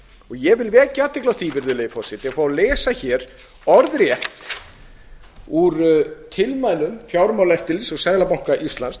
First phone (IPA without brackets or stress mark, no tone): ɔ